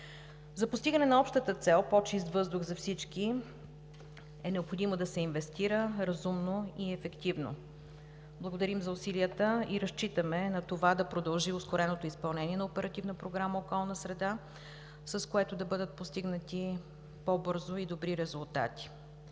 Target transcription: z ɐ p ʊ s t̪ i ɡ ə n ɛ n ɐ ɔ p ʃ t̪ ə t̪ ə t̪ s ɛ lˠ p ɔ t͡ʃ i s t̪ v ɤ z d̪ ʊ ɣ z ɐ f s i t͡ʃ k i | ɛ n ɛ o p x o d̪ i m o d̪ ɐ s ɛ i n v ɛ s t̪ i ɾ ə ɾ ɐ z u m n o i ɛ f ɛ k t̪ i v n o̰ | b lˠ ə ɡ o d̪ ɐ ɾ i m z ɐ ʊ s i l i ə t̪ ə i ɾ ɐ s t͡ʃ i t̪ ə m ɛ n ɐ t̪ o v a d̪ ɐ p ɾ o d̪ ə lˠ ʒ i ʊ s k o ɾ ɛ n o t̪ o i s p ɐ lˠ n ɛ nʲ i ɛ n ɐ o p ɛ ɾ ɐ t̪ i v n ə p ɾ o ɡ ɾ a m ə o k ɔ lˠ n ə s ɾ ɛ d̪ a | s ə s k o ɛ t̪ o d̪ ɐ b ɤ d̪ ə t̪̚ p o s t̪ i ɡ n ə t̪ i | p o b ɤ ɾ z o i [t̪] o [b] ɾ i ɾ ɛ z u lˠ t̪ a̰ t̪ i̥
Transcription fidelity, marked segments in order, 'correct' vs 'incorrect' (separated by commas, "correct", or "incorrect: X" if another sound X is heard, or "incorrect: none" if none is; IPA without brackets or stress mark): incorrect: d̪, correct